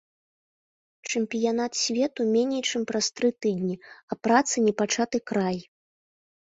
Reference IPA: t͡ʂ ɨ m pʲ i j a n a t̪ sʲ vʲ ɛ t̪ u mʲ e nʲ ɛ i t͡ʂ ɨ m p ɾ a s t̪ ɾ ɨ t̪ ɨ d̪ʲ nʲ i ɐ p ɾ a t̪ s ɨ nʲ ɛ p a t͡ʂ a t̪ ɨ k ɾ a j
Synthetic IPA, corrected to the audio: t͡ʂ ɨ m pʲ i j a n a t̪ sʲ vʲ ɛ t̪ u mʲ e nʲ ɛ j t͡ʂ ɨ m p ɾ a s t̪ ɾ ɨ t̪ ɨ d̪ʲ nʲ i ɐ p ɾ a t̪ s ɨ nʲ ɛ p a t͡ʂ a t̪ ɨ k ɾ a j